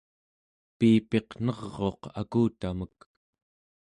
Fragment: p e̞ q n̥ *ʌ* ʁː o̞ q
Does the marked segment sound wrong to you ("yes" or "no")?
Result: no